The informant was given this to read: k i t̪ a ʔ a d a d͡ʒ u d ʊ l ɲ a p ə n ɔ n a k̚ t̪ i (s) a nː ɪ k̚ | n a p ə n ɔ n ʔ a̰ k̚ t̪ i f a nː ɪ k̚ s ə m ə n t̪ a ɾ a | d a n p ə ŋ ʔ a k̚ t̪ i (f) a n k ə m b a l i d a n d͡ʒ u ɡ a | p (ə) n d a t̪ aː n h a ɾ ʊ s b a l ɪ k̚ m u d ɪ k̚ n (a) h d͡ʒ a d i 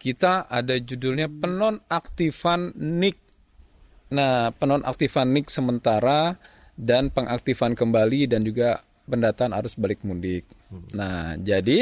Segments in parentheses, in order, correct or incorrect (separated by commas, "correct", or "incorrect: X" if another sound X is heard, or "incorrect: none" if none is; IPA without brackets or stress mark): incorrect: f, correct, correct, correct